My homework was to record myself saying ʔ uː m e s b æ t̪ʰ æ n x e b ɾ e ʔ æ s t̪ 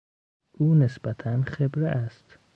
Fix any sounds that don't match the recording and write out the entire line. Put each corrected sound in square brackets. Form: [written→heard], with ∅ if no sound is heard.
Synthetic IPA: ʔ uː [m→n] e s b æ t̪ʰ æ n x e b ɾ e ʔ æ s t̪